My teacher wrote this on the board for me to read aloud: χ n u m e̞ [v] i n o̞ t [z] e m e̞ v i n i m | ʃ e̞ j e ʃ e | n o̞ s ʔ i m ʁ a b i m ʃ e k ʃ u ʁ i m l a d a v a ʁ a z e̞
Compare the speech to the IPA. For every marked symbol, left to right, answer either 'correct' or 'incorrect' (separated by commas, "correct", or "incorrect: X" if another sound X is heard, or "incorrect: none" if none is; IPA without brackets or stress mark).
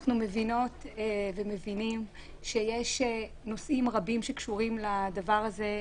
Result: correct, incorrect: v